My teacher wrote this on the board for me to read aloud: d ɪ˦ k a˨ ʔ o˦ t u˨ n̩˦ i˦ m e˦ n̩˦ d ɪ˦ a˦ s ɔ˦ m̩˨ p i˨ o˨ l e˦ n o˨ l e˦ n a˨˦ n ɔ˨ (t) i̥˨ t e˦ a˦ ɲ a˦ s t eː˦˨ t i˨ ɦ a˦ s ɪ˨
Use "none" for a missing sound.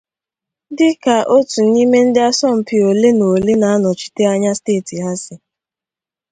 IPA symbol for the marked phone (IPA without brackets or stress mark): t͡ʃ